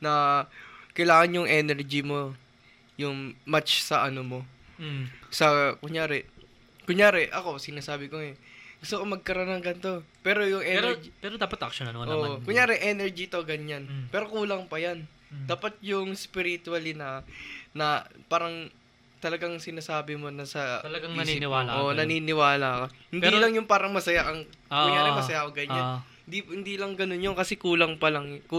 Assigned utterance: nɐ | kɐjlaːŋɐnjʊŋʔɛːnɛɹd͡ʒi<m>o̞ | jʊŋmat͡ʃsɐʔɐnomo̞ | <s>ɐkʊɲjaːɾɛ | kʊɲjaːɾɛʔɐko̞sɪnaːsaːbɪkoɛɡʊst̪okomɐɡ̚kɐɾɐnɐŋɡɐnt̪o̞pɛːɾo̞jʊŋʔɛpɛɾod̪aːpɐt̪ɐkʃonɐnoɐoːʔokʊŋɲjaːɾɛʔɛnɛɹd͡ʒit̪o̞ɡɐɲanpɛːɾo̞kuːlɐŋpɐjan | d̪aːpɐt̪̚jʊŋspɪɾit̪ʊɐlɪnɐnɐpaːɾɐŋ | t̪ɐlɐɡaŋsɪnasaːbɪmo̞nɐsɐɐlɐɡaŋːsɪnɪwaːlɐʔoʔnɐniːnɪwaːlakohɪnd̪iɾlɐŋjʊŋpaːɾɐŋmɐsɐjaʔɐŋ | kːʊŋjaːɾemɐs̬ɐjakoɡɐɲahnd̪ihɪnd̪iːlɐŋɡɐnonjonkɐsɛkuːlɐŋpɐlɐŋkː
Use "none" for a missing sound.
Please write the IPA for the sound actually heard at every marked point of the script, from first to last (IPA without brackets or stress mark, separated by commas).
m, s